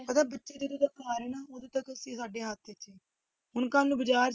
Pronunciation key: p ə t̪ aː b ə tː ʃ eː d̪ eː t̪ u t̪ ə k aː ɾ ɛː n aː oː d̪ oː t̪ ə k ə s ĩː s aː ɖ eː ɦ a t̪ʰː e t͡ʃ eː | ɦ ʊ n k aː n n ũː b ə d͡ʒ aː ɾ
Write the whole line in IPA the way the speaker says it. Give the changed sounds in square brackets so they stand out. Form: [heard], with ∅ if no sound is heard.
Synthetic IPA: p ə t̪ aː b ə tː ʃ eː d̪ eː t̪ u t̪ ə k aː ɾ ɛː n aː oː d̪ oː t̪ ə k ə s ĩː s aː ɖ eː ɦ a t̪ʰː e t͡ʃ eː | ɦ ʊ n k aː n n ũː b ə d͡ʒ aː ɾ